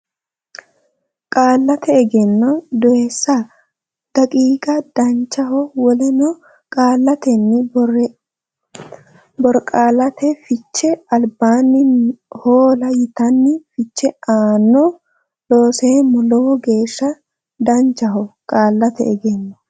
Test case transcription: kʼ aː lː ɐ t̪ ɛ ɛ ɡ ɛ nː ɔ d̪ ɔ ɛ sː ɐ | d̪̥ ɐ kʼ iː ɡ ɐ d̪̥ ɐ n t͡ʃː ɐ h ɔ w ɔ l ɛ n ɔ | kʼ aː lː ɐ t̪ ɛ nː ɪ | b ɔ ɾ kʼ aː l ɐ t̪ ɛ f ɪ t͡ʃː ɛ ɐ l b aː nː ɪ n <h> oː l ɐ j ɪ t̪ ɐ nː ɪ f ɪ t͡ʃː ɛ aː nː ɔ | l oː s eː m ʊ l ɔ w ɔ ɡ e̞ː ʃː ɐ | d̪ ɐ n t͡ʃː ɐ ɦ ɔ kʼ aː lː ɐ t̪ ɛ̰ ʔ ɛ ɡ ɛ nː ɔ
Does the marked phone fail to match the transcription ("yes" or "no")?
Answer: no